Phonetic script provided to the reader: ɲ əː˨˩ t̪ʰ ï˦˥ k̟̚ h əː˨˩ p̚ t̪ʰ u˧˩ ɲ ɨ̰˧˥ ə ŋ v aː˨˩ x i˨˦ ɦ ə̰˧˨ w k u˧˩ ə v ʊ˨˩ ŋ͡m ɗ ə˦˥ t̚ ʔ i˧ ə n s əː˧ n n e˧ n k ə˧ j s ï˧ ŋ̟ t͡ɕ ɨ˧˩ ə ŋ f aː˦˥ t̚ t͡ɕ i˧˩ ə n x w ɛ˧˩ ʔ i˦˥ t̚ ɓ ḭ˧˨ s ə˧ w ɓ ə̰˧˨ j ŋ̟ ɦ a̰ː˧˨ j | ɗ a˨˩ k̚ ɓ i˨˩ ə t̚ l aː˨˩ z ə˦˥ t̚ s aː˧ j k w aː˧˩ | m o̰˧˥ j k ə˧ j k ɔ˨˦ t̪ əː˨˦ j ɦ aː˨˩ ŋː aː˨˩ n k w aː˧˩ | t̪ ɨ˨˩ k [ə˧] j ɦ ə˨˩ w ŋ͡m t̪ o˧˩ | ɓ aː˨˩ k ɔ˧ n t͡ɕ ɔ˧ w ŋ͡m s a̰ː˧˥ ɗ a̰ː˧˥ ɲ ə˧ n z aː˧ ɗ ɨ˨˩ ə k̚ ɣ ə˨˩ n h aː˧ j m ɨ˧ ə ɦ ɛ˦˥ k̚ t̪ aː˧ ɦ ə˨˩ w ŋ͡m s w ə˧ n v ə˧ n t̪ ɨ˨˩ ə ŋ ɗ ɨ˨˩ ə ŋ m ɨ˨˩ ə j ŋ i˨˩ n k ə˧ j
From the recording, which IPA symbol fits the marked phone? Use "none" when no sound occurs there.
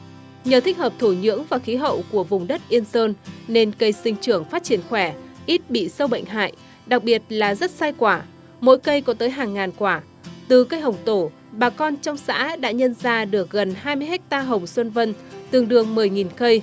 ə˧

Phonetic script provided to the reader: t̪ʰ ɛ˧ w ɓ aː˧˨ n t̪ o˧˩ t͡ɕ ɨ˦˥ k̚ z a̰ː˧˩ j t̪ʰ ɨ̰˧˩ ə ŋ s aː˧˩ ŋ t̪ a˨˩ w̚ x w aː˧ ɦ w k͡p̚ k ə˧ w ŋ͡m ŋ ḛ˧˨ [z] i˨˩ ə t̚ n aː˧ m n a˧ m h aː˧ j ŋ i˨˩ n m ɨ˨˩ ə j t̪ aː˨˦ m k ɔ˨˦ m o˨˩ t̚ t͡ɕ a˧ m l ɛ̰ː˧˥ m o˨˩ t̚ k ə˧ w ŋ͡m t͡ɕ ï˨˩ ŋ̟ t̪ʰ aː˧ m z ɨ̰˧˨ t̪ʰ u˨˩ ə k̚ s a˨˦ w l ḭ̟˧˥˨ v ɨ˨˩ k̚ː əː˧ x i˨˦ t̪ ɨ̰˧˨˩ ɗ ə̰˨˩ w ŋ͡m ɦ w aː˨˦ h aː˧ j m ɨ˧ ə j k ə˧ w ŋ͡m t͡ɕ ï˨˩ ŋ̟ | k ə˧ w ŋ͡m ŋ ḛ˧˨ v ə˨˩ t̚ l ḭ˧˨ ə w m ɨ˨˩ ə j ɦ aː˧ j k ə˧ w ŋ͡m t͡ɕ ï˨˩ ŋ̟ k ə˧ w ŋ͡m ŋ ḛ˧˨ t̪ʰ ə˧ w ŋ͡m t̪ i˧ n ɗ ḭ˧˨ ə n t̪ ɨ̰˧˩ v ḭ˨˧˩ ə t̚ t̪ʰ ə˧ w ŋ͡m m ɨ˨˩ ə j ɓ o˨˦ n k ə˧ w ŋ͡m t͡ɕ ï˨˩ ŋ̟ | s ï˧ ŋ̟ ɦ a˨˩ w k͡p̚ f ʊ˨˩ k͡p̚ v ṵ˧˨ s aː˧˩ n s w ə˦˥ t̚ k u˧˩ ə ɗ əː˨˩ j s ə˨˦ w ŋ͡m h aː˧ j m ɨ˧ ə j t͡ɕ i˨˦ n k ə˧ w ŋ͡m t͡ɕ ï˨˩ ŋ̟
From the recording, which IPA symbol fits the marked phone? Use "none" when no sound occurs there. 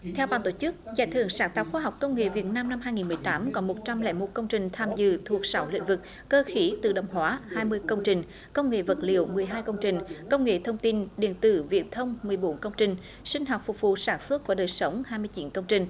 v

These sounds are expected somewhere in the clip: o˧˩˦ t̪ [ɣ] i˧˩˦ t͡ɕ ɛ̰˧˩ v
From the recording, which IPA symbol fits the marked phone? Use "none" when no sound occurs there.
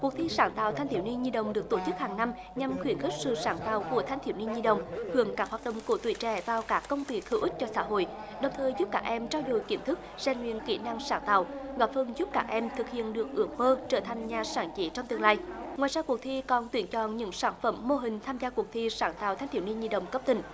w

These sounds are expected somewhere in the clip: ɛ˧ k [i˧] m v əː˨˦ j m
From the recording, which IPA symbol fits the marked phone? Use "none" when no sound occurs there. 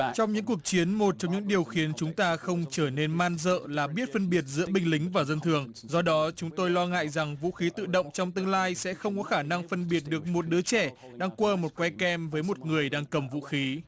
ɛ˧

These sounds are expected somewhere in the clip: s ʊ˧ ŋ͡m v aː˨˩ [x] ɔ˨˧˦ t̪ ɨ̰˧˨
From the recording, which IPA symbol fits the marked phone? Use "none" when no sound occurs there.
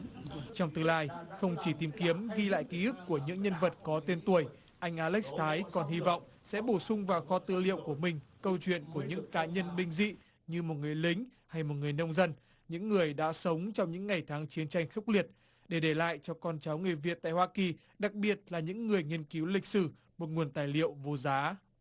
x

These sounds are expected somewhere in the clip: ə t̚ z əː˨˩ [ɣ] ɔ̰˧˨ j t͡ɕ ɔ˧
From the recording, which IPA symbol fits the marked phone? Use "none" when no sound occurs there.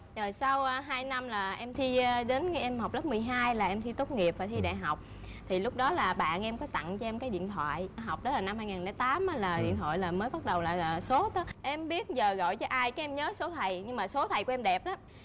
ɣ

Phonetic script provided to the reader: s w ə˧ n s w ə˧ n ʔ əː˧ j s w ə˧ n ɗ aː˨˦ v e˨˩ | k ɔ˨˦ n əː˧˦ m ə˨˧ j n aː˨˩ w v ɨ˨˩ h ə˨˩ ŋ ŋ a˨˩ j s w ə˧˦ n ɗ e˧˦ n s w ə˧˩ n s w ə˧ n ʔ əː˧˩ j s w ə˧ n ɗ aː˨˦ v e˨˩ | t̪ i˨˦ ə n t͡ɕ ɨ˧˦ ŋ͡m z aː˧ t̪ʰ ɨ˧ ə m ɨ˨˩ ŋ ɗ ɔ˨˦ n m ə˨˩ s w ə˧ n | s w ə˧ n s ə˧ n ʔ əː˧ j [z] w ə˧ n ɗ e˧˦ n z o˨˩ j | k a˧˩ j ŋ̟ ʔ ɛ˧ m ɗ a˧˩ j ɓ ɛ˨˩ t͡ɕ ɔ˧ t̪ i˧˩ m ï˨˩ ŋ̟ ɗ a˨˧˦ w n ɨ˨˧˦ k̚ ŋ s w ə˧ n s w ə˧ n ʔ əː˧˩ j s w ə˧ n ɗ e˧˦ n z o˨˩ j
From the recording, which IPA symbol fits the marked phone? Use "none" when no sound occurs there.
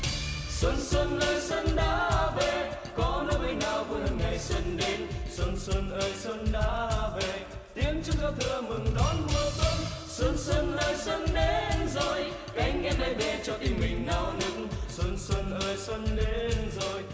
s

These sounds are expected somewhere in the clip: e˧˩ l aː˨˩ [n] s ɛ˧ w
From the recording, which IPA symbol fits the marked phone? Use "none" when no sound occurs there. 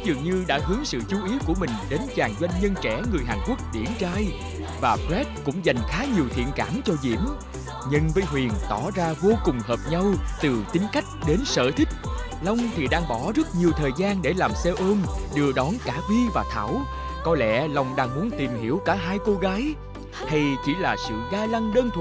m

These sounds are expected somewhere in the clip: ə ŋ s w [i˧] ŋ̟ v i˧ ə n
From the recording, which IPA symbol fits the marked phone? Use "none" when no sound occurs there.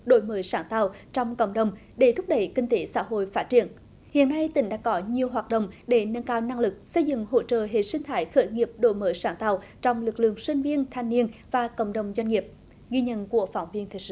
i˧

